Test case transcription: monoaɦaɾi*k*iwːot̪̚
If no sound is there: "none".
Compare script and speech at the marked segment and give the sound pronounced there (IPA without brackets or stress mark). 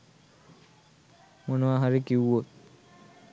k